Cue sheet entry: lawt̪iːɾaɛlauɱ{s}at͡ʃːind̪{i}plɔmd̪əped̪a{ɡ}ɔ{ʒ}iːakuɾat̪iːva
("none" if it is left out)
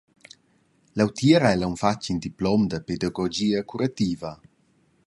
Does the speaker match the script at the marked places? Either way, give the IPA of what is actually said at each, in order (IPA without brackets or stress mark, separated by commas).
f, i, ɡ, d͡ʒ